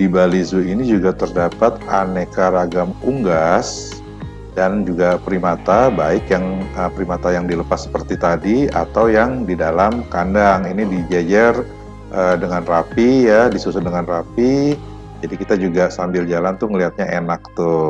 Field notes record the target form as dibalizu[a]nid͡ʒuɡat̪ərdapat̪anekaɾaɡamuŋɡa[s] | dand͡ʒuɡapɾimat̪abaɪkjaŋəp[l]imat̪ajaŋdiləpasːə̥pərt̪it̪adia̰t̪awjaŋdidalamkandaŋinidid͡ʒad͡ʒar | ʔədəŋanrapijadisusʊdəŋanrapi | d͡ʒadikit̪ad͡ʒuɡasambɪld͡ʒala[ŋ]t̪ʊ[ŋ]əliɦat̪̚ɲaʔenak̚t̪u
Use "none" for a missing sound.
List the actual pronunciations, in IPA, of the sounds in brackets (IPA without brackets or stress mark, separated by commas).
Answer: i, s, ɾ, n, ŋ